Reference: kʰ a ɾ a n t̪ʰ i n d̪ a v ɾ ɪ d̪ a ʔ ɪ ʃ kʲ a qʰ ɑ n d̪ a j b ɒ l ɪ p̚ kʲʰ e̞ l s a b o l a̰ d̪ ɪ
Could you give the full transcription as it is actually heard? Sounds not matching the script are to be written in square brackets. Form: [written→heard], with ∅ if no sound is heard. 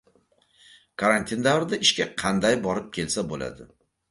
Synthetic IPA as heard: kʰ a ɾ a n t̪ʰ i n d̪ a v ɾ ɪ d̪ a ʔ ɪ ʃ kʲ a qʰ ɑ n d̪ a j b ɒ [l→ɾ] ɪ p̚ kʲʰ e̞ l s a b o l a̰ d̪ ɪ